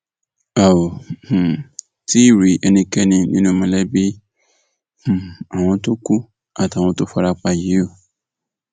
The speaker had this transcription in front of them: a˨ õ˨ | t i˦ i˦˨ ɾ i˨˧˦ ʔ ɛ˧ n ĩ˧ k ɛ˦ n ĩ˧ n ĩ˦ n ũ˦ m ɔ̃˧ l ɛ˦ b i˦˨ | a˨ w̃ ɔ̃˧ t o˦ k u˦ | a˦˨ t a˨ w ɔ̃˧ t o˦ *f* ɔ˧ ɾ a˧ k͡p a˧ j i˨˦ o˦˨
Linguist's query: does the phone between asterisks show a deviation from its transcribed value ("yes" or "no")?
no